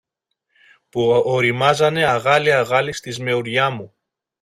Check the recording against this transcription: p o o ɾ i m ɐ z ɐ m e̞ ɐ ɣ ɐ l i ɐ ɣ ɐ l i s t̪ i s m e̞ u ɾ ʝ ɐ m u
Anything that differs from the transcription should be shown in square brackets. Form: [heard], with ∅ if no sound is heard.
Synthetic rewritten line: p [u] o ɾ i m ɐ z ɐ [n] e̞ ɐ ɣ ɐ l i ɐ ɣ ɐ l i s t̪ i [z] m e̞ u ɾ ʝ ɐ m u